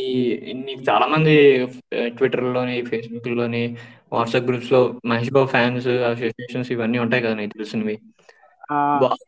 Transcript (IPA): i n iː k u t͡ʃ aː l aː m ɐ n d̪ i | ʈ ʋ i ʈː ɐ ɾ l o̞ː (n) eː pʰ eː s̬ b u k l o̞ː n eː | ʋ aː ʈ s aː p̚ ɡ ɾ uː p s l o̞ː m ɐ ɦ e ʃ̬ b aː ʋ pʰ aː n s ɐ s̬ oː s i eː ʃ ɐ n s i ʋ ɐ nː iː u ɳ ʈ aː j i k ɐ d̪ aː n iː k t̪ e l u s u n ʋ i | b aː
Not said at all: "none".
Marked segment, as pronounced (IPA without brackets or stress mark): n